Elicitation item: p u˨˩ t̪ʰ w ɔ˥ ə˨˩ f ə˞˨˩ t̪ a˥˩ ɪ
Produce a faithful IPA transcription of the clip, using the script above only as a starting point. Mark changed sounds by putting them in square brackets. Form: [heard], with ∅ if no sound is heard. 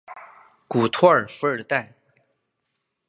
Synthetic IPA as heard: [k] u˨˩ t̪ʰ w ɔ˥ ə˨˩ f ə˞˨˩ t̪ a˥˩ ɪ